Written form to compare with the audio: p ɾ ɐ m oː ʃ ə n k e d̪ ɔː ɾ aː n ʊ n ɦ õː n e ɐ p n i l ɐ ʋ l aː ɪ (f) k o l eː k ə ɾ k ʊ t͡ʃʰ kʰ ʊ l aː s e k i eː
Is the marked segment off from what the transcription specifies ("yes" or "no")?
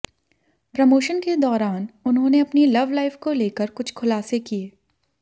no